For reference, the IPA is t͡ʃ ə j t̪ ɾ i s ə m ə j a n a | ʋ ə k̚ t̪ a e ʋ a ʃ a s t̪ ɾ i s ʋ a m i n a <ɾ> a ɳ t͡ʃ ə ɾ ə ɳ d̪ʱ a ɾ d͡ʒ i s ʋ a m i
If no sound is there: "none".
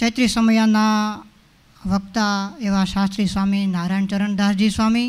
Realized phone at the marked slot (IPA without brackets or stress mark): ɾ